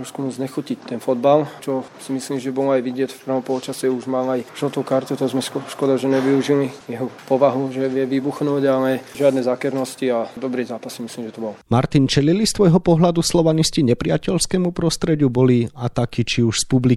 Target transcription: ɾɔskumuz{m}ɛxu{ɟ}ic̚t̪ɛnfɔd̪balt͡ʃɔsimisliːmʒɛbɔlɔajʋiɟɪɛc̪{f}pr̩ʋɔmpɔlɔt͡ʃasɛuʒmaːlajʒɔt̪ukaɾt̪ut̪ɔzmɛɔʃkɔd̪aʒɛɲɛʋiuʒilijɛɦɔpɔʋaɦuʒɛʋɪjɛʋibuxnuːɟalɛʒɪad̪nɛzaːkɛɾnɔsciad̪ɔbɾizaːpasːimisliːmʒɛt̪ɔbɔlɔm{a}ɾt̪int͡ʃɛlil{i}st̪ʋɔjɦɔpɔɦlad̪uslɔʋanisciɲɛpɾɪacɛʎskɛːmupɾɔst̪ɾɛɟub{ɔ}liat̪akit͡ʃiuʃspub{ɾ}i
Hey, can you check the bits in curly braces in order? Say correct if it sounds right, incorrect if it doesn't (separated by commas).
incorrect, incorrect, correct, correct, correct, correct, incorrect